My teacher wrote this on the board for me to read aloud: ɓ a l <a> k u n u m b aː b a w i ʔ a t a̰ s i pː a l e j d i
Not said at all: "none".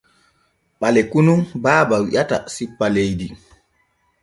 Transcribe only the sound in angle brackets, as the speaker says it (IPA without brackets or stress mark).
ɛ